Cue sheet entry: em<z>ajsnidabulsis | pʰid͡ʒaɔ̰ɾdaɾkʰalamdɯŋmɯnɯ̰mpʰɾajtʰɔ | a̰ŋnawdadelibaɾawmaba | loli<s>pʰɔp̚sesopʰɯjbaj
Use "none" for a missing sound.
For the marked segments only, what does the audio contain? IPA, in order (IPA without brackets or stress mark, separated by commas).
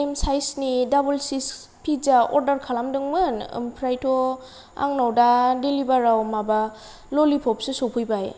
s, none